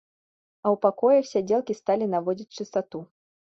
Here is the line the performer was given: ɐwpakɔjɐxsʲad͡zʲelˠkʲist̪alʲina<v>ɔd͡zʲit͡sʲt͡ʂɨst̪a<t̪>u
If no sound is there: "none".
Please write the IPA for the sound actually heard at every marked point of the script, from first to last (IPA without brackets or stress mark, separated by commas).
v, t̪